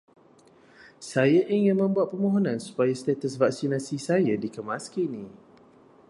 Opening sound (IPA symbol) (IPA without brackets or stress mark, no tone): s